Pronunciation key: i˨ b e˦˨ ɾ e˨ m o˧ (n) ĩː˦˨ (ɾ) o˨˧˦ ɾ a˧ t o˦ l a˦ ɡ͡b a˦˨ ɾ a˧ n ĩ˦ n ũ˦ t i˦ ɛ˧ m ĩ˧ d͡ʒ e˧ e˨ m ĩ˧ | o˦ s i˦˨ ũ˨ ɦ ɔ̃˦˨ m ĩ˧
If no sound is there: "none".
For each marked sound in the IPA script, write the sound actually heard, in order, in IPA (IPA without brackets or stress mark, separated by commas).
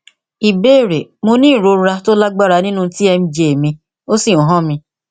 n, ɾ